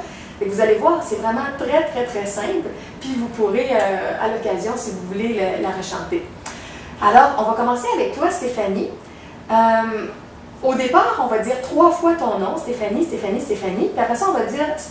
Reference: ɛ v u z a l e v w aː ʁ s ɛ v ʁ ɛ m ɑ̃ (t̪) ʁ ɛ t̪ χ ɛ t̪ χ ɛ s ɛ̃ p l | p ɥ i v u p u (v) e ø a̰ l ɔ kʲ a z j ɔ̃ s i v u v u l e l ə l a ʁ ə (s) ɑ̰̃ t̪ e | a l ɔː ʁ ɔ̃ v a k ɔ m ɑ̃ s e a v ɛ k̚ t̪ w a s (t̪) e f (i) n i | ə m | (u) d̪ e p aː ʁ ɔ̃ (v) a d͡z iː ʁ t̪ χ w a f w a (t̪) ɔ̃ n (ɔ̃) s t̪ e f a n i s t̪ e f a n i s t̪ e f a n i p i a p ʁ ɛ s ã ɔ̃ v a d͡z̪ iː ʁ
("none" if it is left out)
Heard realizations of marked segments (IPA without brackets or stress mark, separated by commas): t̪, ʁ, ʃ, t̪, a, o, v, t̪, ɔ̃